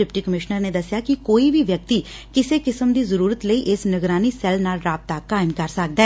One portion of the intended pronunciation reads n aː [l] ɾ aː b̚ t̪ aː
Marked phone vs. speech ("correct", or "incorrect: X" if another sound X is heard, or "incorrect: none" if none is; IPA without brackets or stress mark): correct